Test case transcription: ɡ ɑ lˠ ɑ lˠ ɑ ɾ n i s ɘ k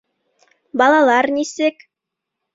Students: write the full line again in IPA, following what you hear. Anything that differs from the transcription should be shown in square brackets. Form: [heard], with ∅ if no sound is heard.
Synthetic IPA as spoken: [b] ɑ lˠ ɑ lˠ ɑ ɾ n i s ɘ k